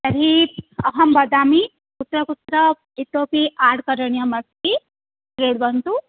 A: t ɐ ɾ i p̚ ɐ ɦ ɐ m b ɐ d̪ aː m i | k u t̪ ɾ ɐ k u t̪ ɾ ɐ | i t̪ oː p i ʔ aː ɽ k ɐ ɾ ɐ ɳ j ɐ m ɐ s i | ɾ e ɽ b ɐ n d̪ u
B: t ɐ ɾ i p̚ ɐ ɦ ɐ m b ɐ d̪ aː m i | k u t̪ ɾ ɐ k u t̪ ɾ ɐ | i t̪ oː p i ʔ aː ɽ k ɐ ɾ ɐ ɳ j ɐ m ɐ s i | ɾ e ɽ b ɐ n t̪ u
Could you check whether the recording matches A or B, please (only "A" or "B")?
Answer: B